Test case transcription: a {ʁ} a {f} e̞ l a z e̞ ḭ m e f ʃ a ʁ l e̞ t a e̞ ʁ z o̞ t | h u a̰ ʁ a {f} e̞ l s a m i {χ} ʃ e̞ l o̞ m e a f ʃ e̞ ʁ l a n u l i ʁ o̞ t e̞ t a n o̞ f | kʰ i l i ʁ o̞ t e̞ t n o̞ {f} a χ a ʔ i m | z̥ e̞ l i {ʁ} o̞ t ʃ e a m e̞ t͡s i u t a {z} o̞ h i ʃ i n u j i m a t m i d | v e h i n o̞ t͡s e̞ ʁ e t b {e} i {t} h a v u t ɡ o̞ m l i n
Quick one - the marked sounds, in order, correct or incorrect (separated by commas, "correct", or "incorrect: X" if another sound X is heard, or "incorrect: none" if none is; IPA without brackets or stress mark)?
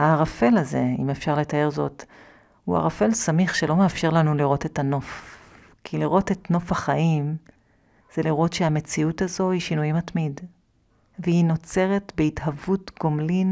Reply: correct, correct, correct, correct, correct, correct, correct, correct, correct